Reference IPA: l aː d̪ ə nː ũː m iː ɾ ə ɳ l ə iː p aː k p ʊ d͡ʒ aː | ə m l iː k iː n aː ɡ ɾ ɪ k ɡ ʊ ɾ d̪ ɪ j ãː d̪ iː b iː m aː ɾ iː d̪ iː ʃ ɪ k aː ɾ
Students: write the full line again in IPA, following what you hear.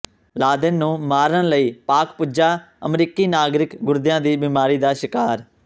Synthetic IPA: l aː d̪ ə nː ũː m aː ɾ ə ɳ l ə iː p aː k p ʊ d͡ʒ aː | ə m ɾ iː k iː n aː ɡ ɾ ɪ k ɡ ʊ ɾ d̪ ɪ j ãː d̪ iː b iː m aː ɾ iː d̪ aː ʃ ɪ k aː ɾ